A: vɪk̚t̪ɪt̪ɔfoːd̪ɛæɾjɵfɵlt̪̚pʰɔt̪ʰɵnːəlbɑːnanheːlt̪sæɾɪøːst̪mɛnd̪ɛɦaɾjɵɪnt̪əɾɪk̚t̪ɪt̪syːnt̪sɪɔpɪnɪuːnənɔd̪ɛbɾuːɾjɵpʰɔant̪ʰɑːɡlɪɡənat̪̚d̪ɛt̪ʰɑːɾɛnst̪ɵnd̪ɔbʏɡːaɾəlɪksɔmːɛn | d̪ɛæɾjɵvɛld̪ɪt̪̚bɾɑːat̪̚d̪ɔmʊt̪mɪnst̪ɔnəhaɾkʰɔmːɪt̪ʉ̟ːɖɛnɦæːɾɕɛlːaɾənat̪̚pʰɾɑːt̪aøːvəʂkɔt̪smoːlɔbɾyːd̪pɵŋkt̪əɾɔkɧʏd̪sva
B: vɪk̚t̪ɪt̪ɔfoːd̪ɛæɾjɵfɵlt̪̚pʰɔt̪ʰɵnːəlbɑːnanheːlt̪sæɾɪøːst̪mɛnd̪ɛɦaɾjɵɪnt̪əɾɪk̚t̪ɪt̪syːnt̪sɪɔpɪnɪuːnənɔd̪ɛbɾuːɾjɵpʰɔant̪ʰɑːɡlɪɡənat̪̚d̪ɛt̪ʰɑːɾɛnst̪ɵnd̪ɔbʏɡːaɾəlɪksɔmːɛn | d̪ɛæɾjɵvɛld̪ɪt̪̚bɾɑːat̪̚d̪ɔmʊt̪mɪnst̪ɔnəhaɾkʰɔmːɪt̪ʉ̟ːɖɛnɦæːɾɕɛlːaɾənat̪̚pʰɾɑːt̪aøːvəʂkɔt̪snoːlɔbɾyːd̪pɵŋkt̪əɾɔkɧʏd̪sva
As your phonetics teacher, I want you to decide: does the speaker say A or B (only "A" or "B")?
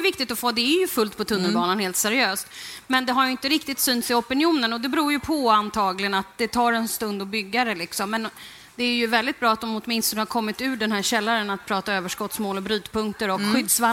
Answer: A